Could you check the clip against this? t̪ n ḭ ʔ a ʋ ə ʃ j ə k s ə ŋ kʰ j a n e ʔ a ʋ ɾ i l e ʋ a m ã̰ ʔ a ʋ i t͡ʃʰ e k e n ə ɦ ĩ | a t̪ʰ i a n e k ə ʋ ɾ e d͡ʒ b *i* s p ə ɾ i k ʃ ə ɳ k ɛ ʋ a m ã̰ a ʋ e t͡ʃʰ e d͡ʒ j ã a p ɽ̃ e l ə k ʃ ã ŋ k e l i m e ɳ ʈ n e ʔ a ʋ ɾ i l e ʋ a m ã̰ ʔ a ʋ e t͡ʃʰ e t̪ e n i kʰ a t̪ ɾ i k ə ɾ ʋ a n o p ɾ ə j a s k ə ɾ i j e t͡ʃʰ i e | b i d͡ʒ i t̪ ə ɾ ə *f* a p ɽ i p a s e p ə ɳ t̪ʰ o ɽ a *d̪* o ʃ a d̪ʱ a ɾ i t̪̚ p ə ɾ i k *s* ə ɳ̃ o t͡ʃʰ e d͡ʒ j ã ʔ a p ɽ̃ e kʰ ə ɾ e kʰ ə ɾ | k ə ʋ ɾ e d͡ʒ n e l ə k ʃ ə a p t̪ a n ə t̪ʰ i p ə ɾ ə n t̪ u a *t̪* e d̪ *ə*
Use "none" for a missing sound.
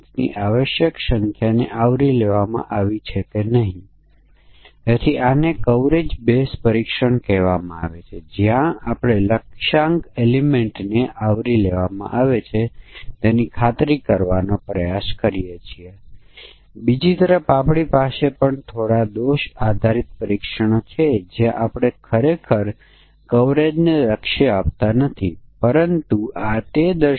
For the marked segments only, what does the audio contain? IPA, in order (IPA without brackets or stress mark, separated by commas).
e, f, d̪, ʃ, t̪, ə